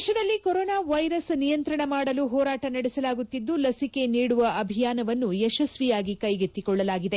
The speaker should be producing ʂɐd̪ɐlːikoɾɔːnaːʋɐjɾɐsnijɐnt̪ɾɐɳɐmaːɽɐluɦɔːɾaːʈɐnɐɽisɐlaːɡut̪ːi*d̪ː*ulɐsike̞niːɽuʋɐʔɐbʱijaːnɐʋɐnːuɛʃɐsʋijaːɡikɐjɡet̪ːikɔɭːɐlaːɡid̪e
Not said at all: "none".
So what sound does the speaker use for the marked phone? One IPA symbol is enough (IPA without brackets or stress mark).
d̪ː